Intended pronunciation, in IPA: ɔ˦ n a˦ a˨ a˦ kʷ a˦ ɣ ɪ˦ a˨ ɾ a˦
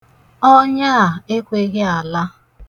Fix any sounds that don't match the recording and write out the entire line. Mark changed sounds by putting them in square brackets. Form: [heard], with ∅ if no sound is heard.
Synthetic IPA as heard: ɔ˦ [ɲ] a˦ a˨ [e˦] kʷ [e˦] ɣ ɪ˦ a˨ [l] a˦

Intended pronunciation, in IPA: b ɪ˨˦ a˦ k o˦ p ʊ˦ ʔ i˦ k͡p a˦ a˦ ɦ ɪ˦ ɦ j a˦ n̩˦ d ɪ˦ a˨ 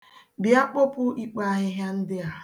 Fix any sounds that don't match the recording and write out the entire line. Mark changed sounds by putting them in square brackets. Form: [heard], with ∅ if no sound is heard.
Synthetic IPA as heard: b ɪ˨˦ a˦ [k͡p] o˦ p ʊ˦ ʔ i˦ k͡p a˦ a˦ ɦ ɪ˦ ɦ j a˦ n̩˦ d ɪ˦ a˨

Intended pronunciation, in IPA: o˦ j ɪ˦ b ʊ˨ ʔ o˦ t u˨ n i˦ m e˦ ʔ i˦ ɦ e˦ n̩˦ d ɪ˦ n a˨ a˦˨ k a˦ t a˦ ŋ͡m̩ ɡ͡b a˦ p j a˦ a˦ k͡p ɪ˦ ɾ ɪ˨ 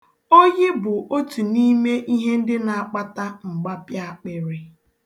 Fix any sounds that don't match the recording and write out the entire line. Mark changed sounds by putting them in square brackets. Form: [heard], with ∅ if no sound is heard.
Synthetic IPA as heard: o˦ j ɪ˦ b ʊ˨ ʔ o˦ t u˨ n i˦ m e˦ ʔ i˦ ɦ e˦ n̩˦ d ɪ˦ n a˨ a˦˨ [k͡p] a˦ t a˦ ŋ͡m̩ ɡ͡b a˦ p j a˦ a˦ k͡p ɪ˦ ɾ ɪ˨

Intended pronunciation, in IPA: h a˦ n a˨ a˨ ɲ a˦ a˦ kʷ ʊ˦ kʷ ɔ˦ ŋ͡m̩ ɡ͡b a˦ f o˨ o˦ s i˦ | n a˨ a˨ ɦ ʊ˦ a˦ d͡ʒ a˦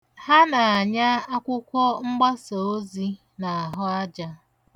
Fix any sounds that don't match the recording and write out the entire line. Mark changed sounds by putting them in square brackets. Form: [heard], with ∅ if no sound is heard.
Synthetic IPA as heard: h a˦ n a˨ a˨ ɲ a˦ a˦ kʷ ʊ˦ kʷ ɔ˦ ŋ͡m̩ ɡ͡b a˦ [s] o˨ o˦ [z] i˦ | n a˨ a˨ ɦ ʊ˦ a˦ d͡ʒ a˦

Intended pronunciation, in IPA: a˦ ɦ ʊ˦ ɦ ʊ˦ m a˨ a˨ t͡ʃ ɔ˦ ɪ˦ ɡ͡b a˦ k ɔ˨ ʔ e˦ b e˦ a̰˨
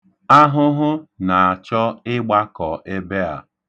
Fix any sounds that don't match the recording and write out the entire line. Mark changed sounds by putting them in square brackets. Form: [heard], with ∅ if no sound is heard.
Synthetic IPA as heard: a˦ ɦ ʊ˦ ɦ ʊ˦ [n] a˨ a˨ t͡ʃ ɔ˦ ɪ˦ ɡ͡b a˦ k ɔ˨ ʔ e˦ b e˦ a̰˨

